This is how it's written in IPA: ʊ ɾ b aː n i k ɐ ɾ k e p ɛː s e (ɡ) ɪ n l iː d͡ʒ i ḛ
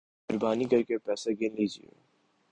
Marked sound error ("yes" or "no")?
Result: no